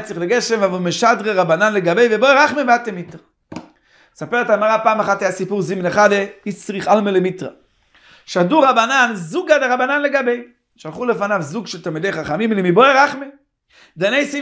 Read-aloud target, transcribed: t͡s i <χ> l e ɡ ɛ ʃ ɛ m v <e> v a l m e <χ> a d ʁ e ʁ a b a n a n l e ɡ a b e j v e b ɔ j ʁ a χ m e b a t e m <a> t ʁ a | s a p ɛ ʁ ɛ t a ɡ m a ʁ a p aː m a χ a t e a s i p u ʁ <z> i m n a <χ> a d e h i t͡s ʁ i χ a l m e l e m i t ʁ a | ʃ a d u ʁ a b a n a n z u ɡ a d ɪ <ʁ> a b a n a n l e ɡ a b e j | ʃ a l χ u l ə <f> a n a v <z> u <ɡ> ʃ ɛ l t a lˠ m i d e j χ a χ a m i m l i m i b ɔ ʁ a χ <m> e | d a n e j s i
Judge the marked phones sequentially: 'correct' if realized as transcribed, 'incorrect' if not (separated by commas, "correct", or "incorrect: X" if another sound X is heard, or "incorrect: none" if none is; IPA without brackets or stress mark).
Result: correct, incorrect: a, incorrect: ʃ, incorrect: i, correct, correct, correct, correct, correct, correct, correct